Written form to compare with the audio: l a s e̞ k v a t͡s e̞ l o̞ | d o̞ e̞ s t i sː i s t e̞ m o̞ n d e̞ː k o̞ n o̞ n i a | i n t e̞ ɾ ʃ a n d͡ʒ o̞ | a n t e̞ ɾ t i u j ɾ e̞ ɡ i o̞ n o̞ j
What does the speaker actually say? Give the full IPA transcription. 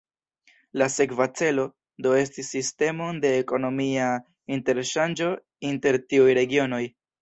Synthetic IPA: l a s e̞ k v a t͡s e̞ l o̞ | d o̞ e̞ s t i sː i s t e̞ m o̞ n d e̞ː k o̞ n o̞ m i a | i n t e̞ ɾ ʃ a n d͡ʒ o̞ | i n t e̞ ɾ t i u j ɾ e̞ ɡ i o̞ n o̞ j